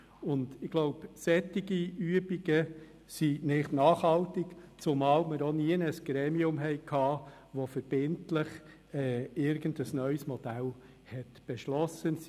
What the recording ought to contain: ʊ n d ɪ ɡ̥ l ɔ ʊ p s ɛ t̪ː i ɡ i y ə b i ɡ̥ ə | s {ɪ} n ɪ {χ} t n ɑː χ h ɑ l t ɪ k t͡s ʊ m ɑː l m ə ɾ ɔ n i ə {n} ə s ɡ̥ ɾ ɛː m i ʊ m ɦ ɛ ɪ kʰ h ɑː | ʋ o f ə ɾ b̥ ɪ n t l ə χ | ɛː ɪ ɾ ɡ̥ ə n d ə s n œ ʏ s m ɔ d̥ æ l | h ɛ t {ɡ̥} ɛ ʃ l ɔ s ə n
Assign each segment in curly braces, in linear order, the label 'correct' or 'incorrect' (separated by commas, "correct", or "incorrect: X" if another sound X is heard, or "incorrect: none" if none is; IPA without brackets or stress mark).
incorrect: i, correct, correct, incorrect: b̥